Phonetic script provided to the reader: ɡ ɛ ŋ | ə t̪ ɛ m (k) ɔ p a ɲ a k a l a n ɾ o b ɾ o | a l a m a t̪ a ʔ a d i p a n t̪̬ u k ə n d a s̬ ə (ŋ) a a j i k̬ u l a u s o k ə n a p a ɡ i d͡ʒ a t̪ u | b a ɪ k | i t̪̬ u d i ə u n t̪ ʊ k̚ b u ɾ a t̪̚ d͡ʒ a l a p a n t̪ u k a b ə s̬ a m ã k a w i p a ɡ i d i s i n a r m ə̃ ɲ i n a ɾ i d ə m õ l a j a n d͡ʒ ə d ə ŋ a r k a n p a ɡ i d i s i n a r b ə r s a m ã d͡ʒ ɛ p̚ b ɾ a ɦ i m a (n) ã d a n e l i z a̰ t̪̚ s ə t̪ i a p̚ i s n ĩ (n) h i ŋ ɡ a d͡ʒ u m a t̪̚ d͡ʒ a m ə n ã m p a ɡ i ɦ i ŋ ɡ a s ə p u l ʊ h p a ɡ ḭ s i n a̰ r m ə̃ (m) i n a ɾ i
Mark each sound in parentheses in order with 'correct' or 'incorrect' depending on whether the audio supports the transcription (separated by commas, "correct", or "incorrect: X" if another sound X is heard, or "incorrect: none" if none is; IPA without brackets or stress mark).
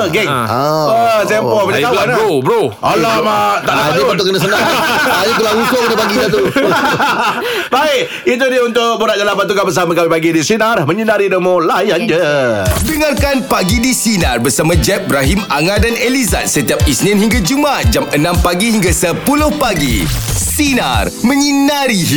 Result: incorrect: p, incorrect: n, incorrect: ŋ, correct, incorrect: ɲ